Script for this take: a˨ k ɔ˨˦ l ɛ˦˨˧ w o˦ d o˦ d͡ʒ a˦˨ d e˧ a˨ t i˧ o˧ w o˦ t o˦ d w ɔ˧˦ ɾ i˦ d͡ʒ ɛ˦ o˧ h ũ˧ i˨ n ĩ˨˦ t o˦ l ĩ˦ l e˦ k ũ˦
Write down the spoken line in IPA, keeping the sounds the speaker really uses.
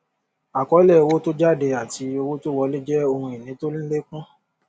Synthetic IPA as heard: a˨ k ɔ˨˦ l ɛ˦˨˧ w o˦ t o˦ d͡ʒ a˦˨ d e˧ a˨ t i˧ o˧ w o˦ t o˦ w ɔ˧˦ l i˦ d͡ʒ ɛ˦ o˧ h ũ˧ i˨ n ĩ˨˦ t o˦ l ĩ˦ l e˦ k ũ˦